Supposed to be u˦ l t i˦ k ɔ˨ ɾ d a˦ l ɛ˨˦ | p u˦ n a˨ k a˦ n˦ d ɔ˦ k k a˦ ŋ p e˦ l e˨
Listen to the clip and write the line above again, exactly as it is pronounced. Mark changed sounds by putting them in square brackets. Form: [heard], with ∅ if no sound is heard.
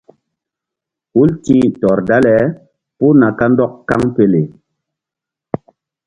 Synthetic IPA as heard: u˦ l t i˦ [t] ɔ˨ ɾ d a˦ l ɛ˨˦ | p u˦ n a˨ k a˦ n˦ d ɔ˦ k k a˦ ŋ p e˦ l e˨